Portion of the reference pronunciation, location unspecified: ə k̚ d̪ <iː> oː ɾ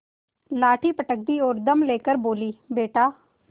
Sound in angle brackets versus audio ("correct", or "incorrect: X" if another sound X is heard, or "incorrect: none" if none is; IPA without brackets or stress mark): correct